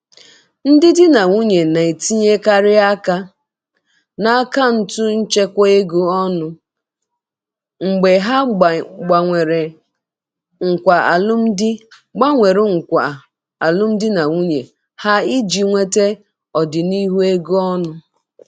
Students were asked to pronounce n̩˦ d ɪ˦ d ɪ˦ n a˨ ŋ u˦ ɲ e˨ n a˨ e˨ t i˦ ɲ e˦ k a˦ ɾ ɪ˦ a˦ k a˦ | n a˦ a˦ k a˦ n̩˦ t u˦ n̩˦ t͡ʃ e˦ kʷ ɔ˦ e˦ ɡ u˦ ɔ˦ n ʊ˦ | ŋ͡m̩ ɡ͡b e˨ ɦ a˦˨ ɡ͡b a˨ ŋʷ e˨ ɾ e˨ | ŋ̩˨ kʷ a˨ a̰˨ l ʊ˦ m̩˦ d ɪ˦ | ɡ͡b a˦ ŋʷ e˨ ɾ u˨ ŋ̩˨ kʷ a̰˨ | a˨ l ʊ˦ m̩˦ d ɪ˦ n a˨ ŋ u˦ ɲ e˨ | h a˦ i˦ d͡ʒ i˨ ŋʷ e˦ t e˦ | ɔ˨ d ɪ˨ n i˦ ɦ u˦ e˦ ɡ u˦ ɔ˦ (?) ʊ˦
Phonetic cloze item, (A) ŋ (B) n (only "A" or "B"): B